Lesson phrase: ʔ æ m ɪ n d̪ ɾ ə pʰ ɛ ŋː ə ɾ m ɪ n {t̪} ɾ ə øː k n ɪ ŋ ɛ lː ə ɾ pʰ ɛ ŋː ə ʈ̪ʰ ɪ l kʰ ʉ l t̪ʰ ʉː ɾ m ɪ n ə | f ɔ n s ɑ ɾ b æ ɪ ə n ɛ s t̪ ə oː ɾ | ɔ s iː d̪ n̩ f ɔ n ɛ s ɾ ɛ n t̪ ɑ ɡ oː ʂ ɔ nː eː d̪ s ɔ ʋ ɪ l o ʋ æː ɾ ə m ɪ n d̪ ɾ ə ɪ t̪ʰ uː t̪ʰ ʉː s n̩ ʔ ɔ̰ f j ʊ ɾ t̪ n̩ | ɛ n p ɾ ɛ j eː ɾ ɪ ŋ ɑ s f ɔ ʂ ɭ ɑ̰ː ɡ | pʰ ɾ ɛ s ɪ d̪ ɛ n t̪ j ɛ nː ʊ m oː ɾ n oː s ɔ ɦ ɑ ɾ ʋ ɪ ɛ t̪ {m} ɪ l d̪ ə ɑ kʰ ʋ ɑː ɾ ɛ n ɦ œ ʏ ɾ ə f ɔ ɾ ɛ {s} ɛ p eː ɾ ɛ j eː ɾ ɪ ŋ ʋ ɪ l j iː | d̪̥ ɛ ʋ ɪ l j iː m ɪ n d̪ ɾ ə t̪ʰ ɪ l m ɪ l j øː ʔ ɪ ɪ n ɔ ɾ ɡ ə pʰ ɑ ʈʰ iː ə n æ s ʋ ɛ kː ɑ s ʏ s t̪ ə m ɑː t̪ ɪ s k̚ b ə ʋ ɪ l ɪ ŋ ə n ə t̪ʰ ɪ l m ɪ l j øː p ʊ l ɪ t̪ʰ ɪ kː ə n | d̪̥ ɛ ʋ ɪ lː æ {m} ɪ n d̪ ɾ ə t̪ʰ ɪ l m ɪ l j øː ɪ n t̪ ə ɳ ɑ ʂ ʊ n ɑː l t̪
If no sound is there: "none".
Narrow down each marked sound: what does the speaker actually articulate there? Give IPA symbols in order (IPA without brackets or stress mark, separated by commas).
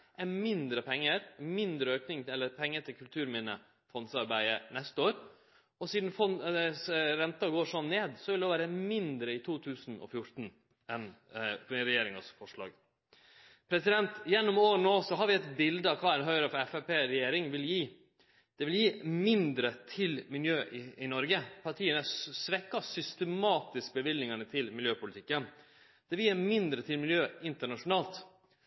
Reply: d̪, b, f, m